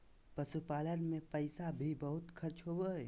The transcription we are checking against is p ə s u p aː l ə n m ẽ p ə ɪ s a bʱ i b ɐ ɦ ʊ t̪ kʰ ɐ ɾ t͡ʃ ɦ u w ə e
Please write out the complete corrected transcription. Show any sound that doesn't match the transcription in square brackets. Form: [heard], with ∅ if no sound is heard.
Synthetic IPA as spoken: p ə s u p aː l ə n m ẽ p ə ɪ s a bʱ i b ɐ ɦ ʊ t̪ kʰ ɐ ɾ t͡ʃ ɦ [o] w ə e